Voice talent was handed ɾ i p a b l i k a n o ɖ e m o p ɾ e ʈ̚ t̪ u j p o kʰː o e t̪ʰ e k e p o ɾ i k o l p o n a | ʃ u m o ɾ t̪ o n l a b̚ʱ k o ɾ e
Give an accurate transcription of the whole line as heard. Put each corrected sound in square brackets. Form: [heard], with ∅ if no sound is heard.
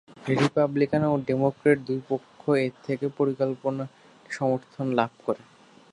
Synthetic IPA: ɾ i p a b l i k a n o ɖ e m o [k] ɾ e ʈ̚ [d̪] u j p o kʰː o e t̪ʰ e k e p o ɾ i k o l p o n a | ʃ [ɔ] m o ɾ [t̪ʰ] o n l a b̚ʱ k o ɾ e